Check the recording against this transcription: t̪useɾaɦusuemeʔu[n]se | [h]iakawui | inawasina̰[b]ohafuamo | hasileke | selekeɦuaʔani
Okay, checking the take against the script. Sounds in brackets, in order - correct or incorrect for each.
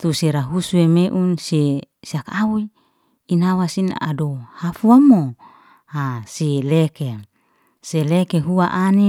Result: correct, incorrect: s, incorrect: d

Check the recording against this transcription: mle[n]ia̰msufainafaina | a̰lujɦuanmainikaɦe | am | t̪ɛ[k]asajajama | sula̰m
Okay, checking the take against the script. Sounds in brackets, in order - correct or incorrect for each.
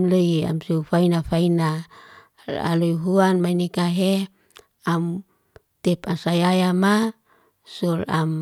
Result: incorrect: none, incorrect: p

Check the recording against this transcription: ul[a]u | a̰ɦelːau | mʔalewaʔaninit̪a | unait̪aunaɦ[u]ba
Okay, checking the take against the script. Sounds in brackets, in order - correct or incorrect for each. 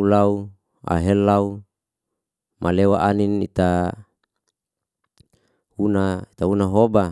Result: correct, incorrect: o

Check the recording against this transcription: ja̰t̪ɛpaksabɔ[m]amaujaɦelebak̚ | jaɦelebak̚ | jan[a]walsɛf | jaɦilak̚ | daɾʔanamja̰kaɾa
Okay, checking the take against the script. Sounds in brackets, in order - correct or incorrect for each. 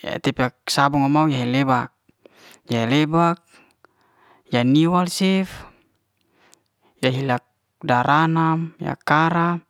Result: incorrect: ŋ, incorrect: i

